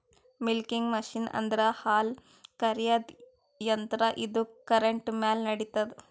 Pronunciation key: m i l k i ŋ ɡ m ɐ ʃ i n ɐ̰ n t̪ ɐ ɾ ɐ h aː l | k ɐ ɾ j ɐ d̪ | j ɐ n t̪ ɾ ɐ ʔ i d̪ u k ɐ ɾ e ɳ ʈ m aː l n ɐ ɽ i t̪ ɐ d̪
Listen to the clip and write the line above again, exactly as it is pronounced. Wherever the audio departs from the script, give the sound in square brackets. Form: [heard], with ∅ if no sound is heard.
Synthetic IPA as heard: m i l k i ŋ ɡ m ɐ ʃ i n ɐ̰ n [d̪] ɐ ɾ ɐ h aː l | k ɐ ɾ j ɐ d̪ | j ɐ n t̪ ɾ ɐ ʔ i d̪ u k ɐ ɾ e ɳ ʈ m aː l n ɐ ɽ i t̪ ɐ d̪